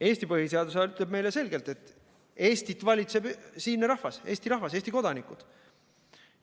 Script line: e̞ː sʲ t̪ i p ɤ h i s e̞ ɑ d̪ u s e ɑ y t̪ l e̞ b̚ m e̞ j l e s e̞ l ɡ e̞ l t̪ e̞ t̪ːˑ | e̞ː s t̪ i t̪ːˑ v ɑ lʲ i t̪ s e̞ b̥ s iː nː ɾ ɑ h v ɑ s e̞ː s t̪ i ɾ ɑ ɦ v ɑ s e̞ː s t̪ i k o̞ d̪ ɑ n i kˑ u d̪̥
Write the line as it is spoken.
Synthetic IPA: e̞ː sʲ t̪ i p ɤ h i s e̞ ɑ d̪ u s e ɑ y t̪ l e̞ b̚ m e̞ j l e s e̞ l ɡ e̞ l t̪ e̞ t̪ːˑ | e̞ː s t̪ i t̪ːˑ v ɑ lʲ i t̪ s e̞ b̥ s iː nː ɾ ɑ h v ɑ s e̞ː s t̪ i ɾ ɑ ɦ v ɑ s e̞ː s t̪ i k o̞ d̪ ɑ n i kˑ u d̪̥